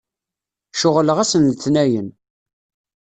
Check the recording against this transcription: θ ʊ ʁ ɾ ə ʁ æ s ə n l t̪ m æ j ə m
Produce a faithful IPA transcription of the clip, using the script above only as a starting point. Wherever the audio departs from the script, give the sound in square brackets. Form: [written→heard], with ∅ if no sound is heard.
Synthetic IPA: [θ→ʃ] ʊ ʁ [ɾ→l] ə ʁ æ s ə n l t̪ [m→n] æ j ə [m→n]